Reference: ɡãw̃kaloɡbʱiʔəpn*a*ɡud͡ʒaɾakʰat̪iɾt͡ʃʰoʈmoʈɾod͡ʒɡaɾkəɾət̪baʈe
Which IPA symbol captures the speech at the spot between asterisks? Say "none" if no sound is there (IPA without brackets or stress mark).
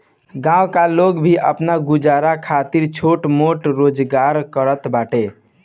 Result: a